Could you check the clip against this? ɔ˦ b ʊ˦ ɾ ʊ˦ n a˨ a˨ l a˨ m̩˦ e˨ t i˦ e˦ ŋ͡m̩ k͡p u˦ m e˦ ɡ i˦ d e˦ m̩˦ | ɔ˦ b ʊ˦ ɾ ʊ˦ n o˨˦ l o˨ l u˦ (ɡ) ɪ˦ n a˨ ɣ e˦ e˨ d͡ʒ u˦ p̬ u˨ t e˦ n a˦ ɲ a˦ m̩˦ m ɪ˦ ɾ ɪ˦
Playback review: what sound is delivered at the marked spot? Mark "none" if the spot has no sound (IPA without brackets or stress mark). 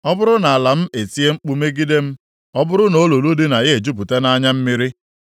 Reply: d